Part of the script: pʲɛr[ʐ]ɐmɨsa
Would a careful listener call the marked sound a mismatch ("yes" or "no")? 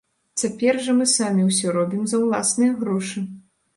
no